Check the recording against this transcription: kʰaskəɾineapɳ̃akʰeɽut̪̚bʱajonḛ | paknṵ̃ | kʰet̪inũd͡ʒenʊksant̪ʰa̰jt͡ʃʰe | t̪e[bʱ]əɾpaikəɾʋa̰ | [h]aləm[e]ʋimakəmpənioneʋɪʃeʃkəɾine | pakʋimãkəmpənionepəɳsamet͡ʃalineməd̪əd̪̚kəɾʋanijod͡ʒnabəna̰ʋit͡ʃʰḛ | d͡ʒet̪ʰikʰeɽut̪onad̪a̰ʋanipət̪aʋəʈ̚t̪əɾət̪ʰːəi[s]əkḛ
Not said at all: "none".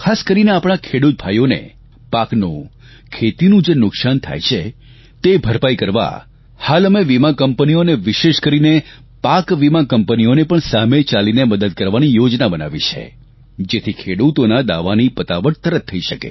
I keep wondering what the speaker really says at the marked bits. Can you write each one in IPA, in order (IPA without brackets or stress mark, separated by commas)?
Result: bʱ, h, e, ʃ